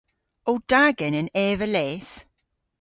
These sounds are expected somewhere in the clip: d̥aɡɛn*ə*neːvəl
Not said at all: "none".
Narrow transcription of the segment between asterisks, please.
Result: ə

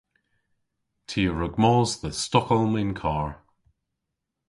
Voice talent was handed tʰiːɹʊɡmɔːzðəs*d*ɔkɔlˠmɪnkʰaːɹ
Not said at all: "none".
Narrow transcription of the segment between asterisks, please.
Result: t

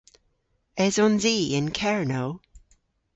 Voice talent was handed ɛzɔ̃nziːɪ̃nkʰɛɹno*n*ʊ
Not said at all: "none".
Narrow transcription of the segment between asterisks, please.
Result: none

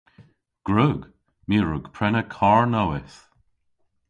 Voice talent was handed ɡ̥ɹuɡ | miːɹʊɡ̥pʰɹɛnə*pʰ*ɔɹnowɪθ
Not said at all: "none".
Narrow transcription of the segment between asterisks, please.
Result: kʰ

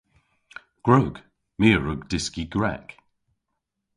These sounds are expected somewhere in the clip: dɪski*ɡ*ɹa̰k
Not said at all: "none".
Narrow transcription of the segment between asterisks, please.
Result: ɡ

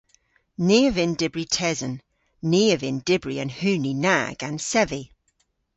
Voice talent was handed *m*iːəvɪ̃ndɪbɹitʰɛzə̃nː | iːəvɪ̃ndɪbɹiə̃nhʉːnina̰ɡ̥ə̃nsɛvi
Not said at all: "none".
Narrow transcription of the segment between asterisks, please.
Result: n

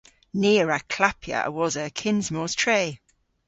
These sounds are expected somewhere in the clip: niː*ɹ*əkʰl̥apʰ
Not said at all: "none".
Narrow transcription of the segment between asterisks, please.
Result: ɹ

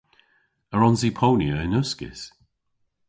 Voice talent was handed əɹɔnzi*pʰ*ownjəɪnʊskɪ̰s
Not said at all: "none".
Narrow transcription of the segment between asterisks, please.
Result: pʰ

